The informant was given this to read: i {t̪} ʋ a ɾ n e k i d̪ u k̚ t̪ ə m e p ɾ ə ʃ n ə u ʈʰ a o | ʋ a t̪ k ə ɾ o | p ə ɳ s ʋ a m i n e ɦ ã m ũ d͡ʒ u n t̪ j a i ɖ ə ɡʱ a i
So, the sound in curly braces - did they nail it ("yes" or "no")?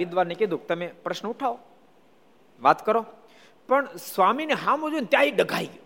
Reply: no